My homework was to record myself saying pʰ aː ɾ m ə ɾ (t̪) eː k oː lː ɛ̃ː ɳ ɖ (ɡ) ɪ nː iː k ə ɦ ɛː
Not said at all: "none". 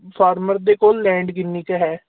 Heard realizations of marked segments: d̪, ɡ

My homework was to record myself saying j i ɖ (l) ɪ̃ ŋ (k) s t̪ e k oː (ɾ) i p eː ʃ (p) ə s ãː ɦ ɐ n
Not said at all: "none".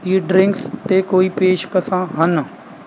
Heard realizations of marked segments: ɾ, k, none, k

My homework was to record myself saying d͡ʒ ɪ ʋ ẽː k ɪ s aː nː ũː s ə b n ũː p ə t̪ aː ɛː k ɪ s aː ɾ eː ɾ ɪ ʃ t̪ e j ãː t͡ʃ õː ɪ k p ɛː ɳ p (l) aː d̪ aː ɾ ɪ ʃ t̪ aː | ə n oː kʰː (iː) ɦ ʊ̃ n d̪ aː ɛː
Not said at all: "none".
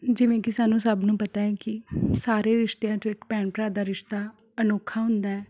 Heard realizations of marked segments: ɾ, aː

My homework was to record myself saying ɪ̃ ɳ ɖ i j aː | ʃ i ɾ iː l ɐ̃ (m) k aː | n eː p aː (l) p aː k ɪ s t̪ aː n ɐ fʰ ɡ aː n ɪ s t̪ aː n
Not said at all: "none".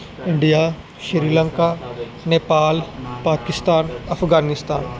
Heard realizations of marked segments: ŋ, l

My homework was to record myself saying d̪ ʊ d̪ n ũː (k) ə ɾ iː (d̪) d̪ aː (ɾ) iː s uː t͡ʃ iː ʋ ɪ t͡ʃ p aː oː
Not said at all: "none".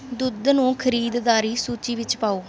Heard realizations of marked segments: kʰ, d̪, ɾ

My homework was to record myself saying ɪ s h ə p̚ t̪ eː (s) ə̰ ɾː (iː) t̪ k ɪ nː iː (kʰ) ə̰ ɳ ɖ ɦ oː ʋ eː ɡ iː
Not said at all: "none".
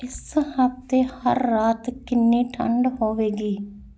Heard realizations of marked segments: h, aː, ʈʰ

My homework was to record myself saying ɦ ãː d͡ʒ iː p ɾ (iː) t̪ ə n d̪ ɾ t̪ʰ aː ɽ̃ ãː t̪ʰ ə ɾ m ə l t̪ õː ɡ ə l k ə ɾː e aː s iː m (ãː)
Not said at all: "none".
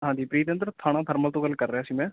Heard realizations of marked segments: iː, ɛ̃ː

